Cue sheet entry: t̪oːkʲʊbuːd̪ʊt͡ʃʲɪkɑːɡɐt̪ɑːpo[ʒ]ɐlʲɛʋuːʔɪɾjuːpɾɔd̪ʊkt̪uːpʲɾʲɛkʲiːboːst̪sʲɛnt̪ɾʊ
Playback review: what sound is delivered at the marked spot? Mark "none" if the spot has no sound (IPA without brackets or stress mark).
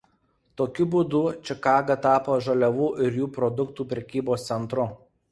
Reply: ʒ